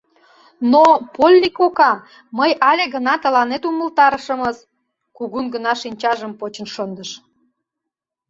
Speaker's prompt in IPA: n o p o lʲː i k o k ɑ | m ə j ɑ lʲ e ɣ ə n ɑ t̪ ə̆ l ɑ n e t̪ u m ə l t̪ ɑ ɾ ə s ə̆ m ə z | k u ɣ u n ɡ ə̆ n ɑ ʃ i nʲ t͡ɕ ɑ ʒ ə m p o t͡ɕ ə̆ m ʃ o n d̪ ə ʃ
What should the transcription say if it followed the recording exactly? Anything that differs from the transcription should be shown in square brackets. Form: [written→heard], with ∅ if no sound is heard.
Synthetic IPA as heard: n o p o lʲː i k o k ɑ | m ə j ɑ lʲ e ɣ ə n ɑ t̪ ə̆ l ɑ n e t̪ u m ə l t̪ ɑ ɾ ə [s→ʃ] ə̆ m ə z | k u ɣ u n ɡ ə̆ n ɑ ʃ i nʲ t͡ɕ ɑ ʒ ə m p o t͡ɕ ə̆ [m→n] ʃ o n d̪ ə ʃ

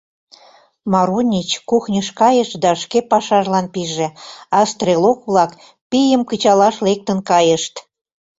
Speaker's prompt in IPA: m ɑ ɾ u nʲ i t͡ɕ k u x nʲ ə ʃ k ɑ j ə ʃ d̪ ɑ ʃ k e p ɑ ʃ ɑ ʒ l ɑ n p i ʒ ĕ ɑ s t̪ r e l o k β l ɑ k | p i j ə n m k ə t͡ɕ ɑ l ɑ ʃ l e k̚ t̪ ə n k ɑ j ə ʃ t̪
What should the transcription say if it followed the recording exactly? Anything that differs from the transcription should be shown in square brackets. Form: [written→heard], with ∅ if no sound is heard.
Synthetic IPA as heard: m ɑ ɾ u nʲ i t͡ɕ k u x nʲ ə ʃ k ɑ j ə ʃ d̪ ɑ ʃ k e p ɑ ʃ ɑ ʒ l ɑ n p i ʒ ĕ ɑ s t̪ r e l o k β l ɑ k | p i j ə [n→∅] m k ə t͡ɕ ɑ l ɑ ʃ l e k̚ t̪ ə n k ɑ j ə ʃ t̪

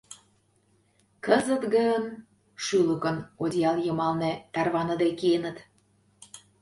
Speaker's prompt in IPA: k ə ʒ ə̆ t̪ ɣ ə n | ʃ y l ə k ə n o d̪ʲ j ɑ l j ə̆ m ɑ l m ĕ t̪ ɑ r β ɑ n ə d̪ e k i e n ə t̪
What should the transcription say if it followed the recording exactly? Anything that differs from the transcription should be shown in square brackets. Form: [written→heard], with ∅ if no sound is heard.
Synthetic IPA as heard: k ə [ʒ→z] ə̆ t̪ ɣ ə n | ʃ y l ə k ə n o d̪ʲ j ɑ l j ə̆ m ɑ l [m→n] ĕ t̪ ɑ r β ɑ n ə d̪ e k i e n ə t̪

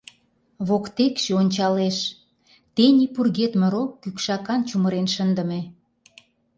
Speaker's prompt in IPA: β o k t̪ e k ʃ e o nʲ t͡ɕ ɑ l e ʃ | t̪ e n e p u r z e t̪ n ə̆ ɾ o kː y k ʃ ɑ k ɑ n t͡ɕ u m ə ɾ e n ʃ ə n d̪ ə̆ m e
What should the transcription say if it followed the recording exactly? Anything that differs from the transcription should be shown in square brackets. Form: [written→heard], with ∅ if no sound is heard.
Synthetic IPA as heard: β o k t̪ e k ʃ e o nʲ t͡ɕ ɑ l e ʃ | t̪ e n [e→i] p u r [z→ɣ] e t̪ [n→m] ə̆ ɾ o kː y k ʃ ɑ k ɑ n t͡ɕ u m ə ɾ e n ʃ ə n d̪ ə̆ m e

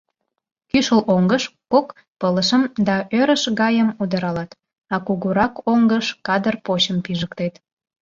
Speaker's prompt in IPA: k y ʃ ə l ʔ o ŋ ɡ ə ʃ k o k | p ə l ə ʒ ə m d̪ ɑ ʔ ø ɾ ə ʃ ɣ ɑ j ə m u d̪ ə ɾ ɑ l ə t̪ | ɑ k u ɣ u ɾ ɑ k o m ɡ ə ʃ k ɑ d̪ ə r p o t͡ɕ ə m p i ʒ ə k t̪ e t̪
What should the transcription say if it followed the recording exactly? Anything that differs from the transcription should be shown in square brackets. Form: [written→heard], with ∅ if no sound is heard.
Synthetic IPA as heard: k y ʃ ə l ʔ o ŋ ɡ ə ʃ k o k | p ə l ə [ʒ→ʃ] ə m d̪ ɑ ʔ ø ɾ ə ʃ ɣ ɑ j ə m u d̪ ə ɾ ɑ l [ə→ɑ] t̪ | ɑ k u ɣ u ɾ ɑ k o [m→ŋ] ɡ ə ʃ k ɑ d̪ ə r p o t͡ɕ ə m p i ʒ ə k t̪ e t̪

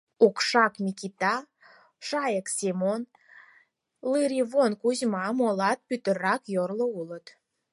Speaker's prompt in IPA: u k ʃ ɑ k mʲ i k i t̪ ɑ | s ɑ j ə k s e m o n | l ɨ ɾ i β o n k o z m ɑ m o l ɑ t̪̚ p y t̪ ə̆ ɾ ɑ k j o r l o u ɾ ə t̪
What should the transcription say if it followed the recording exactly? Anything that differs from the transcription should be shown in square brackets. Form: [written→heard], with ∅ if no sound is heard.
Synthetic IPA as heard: u k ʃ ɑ k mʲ i k i t̪ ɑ | [s→ʃ] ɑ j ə k s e m o n | l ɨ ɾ i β o n k [o→u] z m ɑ m o l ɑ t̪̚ p y t̪ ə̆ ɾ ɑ k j o r l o u [ɾ→l] ə t̪

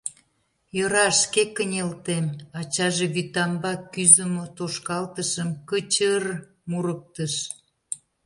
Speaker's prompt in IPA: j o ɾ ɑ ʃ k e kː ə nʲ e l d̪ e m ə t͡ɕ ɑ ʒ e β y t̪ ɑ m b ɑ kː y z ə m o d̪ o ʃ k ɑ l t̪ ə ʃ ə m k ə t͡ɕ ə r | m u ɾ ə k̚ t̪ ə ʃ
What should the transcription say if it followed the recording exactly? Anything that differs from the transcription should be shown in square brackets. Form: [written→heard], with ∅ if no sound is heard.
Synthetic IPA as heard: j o ɾ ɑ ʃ k e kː ə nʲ e l [d̪→t̪] e m [ə→ɑ] t͡ɕ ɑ ʒ e β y t̪ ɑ m b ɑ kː y z ə m o [d̪→t̪] o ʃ k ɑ l t̪ ə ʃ ə m k ə t͡ɕ ə r | m u ɾ ə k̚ t̪ ə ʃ

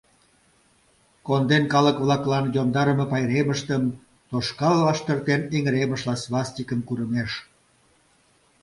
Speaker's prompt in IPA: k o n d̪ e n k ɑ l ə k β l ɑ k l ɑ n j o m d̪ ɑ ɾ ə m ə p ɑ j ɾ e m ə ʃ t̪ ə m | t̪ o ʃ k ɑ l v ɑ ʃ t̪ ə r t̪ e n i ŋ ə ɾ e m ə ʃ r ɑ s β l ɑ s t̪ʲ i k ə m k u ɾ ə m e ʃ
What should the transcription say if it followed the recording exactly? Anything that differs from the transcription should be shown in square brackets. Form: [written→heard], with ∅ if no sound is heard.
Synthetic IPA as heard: k o n d̪ e n k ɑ l ə k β l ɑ k l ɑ n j o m d̪ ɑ ɾ ə m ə p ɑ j ɾ e m ə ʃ t̪ ə m | t̪ o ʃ k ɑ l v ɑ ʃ t̪ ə r t̪ e n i ŋ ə ɾ e m ə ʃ [r→l] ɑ s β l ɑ s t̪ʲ i k ə m k u ɾ ə m e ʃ

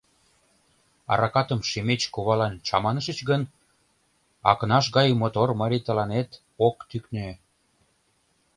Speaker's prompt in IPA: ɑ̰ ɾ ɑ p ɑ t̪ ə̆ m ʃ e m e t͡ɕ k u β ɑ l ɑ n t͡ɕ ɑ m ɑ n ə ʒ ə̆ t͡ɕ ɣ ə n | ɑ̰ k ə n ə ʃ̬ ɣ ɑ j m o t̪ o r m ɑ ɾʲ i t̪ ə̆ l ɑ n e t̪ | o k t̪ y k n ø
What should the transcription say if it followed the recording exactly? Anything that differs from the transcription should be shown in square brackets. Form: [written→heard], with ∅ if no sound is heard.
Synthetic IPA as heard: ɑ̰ ɾ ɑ [p→k] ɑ t̪ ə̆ m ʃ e m e t͡ɕ k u β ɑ l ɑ n t͡ɕ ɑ m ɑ n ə [ʒ→ʃ] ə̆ t͡ɕ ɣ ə n | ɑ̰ k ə n [ə→ɑ] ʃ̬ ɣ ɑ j m o t̪ o r m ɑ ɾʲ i t̪ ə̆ l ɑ n e t̪ | o k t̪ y k n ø

